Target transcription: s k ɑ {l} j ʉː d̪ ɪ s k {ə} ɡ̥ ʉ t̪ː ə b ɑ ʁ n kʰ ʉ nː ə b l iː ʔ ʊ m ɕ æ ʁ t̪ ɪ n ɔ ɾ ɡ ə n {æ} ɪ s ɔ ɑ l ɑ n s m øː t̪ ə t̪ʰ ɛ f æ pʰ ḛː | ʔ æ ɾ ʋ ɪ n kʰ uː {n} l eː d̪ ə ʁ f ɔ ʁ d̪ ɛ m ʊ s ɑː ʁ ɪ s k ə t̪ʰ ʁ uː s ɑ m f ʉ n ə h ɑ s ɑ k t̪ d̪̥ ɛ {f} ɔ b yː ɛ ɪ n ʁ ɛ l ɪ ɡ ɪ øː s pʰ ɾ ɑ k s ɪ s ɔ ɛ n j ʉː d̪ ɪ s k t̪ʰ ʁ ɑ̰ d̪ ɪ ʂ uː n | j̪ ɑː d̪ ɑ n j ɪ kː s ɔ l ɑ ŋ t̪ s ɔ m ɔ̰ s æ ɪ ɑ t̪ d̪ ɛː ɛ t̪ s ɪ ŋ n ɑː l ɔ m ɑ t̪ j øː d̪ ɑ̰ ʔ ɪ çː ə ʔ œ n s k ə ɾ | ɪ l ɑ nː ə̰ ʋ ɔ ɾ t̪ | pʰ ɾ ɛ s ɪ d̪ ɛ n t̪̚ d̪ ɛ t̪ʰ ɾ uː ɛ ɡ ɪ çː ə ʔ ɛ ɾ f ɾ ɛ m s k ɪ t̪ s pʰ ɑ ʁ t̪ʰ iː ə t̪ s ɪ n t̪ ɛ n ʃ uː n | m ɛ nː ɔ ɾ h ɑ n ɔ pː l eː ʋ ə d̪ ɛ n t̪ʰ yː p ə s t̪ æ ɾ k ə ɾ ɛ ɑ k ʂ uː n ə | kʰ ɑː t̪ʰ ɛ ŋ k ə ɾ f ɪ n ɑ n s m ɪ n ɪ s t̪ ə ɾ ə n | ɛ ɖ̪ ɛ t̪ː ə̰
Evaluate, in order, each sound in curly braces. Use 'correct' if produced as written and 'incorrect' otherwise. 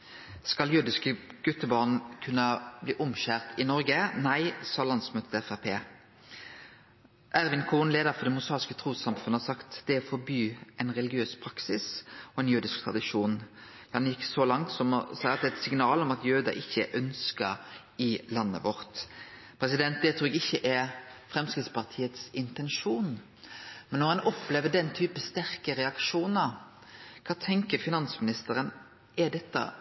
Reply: correct, correct, correct, correct, correct

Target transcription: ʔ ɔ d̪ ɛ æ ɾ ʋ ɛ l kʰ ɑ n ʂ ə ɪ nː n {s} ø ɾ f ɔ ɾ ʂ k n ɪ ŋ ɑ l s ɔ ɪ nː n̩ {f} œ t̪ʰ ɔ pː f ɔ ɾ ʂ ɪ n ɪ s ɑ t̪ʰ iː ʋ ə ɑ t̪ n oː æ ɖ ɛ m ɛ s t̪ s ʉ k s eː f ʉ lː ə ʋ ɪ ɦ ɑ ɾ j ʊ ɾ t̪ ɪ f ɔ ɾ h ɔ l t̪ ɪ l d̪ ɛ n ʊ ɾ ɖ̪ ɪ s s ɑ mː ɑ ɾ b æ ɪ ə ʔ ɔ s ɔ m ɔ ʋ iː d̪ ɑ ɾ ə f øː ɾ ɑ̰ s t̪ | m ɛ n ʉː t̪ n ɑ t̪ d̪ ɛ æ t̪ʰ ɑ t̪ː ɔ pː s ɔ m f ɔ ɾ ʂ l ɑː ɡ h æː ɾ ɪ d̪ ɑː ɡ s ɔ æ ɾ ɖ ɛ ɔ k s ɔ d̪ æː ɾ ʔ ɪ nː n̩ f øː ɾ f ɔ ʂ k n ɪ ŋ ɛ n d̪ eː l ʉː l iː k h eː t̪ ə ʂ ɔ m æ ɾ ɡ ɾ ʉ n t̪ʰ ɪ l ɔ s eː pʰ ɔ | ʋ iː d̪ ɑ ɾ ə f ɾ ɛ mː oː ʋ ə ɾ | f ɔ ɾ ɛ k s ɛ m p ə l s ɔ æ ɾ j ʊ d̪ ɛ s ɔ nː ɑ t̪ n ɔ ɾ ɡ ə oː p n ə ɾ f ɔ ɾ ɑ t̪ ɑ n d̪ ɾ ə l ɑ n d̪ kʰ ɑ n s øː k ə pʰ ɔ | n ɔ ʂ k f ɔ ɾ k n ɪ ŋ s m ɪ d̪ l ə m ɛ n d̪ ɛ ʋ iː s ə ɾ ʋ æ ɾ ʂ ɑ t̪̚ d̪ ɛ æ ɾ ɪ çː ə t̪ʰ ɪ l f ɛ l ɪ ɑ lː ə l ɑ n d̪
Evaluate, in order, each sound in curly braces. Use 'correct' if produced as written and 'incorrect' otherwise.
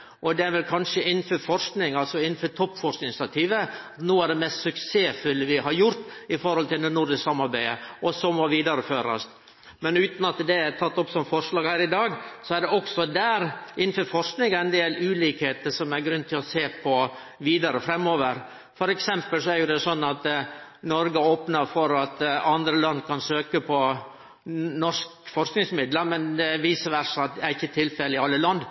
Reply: incorrect, correct

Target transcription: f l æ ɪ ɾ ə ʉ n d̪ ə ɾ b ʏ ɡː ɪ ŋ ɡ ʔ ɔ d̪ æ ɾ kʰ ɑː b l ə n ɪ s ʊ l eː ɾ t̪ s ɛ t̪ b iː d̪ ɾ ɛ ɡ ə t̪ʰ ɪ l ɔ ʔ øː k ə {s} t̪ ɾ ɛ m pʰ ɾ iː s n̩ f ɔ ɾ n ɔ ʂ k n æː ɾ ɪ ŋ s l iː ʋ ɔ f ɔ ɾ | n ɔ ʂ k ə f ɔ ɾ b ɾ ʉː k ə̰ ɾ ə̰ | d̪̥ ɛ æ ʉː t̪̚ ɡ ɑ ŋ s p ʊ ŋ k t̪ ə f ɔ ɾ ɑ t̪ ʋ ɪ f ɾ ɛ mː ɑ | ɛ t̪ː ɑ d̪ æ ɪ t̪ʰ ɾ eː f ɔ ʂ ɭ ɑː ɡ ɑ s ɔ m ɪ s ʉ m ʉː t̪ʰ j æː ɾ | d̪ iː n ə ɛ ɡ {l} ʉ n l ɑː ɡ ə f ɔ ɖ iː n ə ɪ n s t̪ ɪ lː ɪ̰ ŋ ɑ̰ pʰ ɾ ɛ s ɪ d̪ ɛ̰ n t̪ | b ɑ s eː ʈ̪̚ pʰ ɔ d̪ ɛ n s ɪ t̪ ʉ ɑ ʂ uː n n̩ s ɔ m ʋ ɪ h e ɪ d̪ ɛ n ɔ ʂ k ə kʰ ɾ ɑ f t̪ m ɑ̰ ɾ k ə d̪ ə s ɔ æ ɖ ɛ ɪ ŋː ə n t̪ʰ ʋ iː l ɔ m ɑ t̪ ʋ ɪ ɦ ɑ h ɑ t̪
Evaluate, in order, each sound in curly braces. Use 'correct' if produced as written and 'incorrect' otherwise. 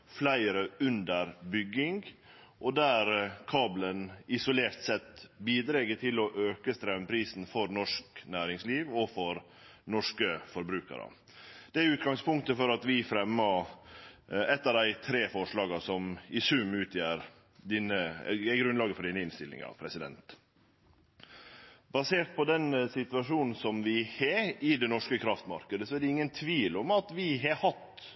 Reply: correct, incorrect

